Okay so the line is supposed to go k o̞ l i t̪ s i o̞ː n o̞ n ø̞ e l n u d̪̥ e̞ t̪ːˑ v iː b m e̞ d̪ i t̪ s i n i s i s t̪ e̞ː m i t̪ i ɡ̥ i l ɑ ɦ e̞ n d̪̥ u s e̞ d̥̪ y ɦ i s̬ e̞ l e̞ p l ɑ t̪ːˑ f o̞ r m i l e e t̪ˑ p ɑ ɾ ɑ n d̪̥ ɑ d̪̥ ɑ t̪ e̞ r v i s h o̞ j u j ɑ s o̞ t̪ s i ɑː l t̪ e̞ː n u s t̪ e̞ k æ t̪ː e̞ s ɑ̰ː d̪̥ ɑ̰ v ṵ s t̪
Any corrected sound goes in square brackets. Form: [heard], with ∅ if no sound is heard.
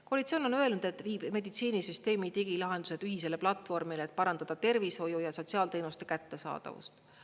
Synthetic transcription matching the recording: k o̞ l i t̪ s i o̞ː n o̞ n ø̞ e l n u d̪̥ e̞ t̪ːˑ v iː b m e̞ d̪ i t̪ s [iː] n i s [y] s t̪ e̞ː m i t̪ i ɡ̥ i l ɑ ɦ e̞ n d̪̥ u s e̞ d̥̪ y ɦ i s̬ e̞ l e̞ p l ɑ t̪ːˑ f o̞ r m i l e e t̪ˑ p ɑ ɾ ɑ n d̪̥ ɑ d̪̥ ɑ t̪ e̞ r v i s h o̞ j u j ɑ s o̞ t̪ s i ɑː l t̪ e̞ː n u s t̪ e̞ k æ t̪ː e̞ s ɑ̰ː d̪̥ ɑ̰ v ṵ s t̪